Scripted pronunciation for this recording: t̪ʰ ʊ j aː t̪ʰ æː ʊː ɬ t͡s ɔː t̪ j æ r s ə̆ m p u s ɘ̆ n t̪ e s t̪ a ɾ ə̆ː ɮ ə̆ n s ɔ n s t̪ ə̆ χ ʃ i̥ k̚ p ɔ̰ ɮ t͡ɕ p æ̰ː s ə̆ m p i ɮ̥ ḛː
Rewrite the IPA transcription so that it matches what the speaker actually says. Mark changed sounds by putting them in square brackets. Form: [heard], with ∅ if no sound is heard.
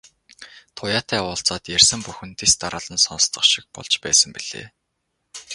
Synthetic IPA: t̪ʰ ʊ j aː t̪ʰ æː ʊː ɬ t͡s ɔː t̪ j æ r s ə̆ m p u [x] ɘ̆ n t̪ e s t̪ a ɾ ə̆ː ɮ ə̆ n s ɔ n s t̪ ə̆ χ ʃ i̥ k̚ p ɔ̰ ɮ t͡ɕ p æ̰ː s ə̆ m p i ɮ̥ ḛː